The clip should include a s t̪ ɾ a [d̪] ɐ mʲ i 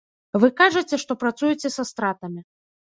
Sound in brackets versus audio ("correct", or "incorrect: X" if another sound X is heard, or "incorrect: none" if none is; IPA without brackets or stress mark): incorrect: t̪